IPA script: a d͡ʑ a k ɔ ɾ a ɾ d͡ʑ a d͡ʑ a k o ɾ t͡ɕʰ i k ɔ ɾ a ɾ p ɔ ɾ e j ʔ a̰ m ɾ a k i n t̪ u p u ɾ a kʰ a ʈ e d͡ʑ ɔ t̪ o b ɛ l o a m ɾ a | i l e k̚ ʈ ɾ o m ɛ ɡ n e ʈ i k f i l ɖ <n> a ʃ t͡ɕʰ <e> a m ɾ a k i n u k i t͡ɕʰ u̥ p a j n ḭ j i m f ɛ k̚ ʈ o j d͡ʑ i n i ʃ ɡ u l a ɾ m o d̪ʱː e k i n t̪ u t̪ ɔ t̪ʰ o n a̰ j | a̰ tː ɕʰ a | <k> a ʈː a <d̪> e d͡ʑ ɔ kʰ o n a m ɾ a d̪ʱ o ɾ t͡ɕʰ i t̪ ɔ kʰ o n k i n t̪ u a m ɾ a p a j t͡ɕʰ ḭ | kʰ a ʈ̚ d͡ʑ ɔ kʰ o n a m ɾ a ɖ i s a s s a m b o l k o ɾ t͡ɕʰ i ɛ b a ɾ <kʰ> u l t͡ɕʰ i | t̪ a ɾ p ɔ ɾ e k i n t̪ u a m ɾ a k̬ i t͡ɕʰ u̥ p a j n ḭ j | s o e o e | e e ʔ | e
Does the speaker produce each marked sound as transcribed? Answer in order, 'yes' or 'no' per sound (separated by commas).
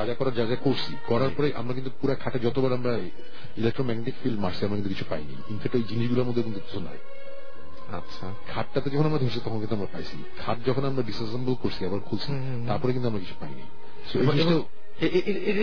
no, no, no, no, yes